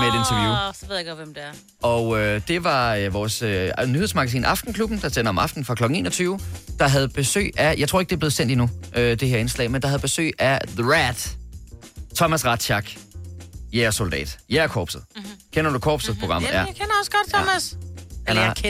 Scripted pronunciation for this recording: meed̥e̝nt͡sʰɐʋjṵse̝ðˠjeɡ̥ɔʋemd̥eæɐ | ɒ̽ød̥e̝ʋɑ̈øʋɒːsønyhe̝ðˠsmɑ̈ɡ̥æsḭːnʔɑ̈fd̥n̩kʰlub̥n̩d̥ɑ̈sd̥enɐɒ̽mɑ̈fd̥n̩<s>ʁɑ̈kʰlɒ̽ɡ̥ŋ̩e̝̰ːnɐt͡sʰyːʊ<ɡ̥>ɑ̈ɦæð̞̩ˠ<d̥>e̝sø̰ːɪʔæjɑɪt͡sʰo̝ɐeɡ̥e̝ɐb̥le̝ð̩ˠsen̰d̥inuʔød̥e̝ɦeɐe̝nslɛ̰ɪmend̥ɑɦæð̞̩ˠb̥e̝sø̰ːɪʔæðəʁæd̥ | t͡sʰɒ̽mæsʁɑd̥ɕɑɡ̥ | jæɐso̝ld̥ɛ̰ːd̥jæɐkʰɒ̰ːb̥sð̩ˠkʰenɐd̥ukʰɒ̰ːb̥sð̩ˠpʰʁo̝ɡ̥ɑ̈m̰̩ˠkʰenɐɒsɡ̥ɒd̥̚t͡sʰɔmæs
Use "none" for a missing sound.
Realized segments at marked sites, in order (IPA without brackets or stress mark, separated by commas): f, d̥, b̥